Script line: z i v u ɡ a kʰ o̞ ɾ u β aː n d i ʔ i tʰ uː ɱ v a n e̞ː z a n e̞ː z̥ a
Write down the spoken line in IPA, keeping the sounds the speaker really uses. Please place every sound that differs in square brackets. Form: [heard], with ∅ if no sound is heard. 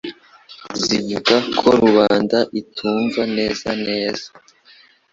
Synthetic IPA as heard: z i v u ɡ a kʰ o̞ ɾ u β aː n d [a] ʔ i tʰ uː ɱ v a n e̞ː z a n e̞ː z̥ a

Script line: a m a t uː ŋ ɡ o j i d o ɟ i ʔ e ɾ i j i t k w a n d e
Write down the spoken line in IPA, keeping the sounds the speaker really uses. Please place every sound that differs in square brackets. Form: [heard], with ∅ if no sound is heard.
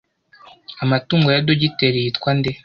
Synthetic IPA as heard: a m a t uː ŋ ɡ o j [a] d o ɟ i [t] e ɾ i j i t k w a n d e

